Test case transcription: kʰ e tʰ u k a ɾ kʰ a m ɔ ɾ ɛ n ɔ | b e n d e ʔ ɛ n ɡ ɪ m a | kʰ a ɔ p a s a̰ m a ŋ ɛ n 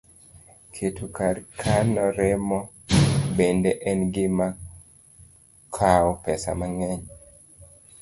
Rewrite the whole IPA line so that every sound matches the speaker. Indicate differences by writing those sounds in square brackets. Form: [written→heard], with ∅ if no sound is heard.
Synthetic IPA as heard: kʰ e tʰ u k a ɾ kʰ a [m→n] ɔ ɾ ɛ [n→m] ɔ | b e n d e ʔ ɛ n ɡ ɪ m a | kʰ a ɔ p [a→ɛ] s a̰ m a ŋ ɛ [n→ɲ]